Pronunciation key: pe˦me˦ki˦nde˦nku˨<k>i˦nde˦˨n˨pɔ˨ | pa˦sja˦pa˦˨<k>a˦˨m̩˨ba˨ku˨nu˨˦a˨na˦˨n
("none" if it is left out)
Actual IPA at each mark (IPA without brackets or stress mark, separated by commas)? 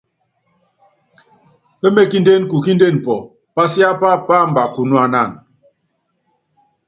k, p